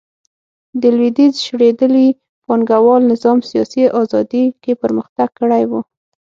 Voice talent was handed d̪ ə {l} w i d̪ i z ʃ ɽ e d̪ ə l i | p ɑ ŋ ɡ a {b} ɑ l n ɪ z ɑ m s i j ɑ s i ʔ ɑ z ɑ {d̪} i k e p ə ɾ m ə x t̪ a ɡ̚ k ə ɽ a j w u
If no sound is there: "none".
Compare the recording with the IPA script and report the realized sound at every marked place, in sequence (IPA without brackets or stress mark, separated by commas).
l, w, d̪